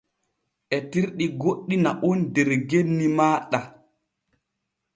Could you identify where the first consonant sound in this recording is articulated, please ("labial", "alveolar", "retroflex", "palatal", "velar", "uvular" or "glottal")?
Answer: glottal